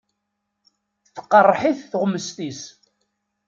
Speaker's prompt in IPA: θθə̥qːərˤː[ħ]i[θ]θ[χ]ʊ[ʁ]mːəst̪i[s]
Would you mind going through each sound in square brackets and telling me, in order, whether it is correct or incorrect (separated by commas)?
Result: correct, correct, incorrect, incorrect, correct